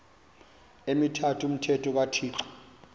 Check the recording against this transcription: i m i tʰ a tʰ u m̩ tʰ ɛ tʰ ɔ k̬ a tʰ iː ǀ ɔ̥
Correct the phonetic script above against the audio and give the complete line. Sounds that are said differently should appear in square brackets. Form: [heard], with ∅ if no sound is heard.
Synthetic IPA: [e] m i tʰ a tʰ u m̩ tʰ ɛ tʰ ɔ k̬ a tʰ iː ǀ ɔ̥